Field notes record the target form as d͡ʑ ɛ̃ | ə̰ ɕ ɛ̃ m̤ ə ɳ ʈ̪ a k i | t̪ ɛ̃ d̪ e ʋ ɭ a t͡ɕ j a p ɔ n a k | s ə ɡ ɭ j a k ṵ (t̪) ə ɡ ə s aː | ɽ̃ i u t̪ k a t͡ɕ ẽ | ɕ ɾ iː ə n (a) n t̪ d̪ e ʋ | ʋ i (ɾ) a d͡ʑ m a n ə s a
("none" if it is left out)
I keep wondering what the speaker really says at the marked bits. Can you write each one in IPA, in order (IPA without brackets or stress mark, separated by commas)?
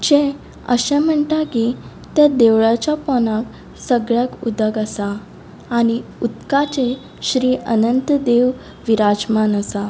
d̪, ə, ɾ